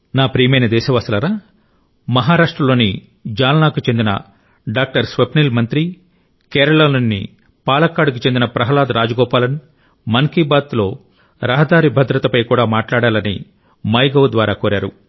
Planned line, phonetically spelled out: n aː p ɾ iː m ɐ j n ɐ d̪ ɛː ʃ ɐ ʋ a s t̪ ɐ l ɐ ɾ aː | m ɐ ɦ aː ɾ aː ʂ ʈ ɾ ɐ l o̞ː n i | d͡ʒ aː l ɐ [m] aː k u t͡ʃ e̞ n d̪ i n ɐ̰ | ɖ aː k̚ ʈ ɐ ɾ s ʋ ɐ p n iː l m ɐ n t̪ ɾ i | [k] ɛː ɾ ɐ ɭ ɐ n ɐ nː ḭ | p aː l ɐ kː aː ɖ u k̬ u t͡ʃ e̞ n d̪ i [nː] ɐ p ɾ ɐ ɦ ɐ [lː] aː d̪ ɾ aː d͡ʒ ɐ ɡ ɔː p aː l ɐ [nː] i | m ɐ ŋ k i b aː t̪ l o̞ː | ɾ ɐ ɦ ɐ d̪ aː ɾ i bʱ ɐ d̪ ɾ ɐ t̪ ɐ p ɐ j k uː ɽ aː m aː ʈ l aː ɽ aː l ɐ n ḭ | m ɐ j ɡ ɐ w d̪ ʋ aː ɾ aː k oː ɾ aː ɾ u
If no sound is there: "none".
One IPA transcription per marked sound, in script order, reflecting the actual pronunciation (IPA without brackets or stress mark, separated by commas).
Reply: n, k, n, l, n